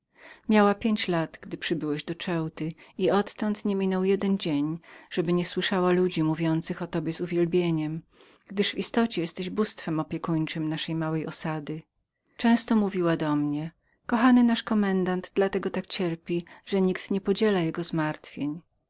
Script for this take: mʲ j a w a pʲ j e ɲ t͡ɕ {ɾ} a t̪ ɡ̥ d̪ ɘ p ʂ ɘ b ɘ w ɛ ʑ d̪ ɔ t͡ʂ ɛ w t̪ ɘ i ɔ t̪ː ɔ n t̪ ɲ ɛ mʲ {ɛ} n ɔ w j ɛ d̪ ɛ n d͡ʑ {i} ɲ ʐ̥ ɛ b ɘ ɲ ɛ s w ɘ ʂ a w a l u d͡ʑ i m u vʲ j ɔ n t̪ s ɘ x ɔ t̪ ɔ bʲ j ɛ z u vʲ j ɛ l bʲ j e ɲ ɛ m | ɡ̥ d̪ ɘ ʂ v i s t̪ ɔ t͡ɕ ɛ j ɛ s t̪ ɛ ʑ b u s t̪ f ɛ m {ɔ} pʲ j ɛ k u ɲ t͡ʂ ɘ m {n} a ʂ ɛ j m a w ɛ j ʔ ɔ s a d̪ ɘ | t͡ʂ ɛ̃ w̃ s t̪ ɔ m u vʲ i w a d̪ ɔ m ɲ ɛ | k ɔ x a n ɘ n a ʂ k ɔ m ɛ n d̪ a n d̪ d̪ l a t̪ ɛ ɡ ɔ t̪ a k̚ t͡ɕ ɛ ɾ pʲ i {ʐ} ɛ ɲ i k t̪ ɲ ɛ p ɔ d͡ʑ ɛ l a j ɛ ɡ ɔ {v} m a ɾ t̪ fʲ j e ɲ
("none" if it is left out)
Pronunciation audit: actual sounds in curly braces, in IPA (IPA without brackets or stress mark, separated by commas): l, i, e, ɔ, n, ʐ, z